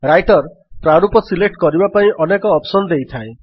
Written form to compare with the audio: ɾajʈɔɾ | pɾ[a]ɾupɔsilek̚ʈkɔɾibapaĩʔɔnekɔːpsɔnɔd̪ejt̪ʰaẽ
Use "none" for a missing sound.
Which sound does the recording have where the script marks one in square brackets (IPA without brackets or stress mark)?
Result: a